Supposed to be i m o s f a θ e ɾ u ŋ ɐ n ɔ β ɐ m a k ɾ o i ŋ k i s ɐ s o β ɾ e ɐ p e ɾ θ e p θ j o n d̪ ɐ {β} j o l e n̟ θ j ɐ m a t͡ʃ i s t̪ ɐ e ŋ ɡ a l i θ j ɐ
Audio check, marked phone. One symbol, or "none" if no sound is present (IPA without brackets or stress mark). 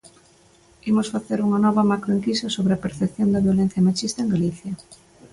β